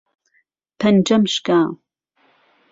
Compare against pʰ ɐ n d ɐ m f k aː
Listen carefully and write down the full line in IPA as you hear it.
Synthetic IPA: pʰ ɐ n d͡ʒ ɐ m ʃ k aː